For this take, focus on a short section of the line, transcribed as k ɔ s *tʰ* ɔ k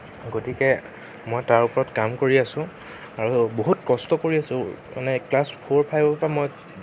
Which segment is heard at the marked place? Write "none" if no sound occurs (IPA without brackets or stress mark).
t